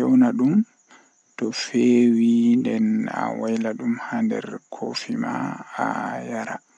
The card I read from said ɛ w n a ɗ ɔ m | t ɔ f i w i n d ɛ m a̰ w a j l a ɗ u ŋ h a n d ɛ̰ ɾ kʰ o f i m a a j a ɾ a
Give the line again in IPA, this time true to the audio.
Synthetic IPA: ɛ w n a ɗ u m | t ɔ f e w i n d ɛ n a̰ w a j l a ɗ u m h a n d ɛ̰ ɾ kʰ o f i m a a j a ɾ a